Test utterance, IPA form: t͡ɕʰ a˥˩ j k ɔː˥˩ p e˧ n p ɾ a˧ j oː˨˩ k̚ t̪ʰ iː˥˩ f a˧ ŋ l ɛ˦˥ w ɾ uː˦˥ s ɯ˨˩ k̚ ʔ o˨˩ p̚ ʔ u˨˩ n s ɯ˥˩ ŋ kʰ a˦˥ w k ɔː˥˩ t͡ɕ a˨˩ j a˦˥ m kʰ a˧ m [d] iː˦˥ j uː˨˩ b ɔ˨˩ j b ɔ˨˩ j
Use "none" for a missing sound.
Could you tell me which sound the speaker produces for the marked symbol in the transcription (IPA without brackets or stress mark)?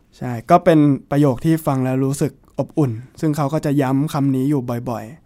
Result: n